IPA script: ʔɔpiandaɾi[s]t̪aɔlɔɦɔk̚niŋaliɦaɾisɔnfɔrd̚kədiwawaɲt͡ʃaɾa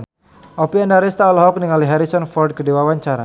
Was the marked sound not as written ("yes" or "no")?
no